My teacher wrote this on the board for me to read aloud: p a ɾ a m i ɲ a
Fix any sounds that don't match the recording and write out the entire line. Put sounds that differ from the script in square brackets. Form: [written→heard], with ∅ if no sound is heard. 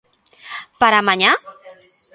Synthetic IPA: p a ɾ a m [i→a] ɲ a